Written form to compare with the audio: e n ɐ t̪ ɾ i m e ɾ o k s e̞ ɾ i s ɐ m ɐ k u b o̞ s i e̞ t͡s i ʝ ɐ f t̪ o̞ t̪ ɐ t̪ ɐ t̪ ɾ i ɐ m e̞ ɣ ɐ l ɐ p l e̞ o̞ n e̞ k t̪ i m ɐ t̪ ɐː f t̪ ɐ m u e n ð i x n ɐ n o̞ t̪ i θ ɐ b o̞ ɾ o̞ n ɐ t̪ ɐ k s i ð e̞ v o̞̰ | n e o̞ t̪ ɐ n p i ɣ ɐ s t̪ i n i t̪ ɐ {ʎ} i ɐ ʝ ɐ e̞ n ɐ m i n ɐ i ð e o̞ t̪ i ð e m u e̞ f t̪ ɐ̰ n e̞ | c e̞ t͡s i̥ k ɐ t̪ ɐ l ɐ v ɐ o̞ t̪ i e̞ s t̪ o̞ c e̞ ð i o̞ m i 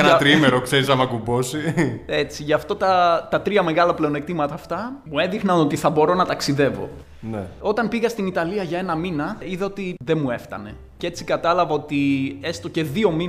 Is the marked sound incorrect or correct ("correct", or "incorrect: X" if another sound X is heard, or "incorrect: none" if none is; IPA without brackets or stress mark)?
incorrect: l